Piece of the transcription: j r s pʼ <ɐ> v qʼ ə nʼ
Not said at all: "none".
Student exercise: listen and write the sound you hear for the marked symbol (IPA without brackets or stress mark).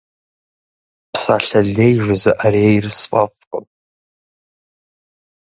a